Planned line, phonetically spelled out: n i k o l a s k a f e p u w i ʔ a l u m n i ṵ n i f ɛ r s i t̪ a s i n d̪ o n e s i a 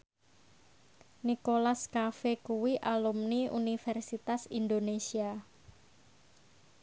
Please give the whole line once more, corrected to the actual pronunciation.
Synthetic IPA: n i k o l a s k a f e k u w i ʔ a l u m n i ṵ n i f ɛ r s i t̪ a s i n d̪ o n e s i a